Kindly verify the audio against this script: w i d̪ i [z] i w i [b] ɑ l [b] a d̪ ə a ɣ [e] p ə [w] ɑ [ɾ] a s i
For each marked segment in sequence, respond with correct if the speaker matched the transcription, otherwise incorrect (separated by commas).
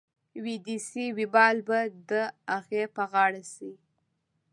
incorrect, correct, correct, correct, incorrect, incorrect